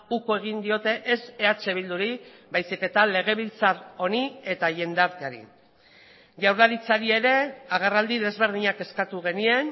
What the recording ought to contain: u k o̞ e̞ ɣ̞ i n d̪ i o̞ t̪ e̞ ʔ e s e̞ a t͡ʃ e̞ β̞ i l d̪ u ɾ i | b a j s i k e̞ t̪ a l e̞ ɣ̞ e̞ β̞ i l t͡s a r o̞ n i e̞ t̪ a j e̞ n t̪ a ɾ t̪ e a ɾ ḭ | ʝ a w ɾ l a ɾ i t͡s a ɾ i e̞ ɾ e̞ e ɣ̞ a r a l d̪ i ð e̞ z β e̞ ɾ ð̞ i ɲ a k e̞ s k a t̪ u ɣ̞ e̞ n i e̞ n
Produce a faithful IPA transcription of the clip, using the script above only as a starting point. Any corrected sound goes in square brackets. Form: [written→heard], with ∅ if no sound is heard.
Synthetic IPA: u k o̞ e̞ ɣ̞ i n d̪ i o̞ t̪ e̞ ʔ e s e̞ a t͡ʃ e̞ β̞ i l d̪ u ɾ i | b a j s i k e̞ t̪ a l e̞ ɣ̞ e̞ β̞ i l t͡s a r o̞ n i e̞ t̪ a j e̞ n [t̪→d̪] a ɾ t̪ e a ɾ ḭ | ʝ a w ɾ l a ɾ i t͡s a ɾ i e̞ ɾ e̞ [e→a] ɣ̞ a r a l d̪ i ð e̞ z β e̞ ɾ ð̞ i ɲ a k e̞ s k a t̪ u ɣ̞ e̞ n i e̞ n